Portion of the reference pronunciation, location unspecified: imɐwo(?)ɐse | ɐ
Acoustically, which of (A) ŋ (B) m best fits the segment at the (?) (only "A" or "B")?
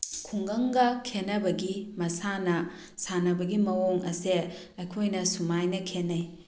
A